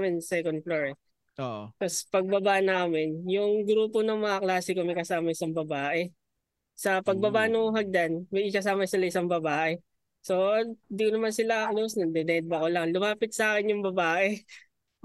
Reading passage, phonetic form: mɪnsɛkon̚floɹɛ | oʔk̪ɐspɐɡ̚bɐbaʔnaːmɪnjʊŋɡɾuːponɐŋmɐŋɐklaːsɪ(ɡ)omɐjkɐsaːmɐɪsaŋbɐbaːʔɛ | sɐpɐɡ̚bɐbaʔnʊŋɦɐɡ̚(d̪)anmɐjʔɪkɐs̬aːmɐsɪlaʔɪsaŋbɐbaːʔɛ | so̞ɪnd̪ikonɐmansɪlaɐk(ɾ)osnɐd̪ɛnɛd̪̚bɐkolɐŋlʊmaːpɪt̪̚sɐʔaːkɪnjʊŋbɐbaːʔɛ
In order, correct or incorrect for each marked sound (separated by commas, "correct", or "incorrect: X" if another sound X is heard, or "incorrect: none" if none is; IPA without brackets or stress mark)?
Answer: incorrect: k, correct, incorrect: l